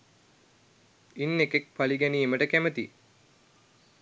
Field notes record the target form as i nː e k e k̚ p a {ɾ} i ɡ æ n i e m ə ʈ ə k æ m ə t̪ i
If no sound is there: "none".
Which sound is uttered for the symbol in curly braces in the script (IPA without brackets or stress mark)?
l